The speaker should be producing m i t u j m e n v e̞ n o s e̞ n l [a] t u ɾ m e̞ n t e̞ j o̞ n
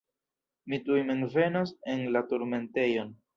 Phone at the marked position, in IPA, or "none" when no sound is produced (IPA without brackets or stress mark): a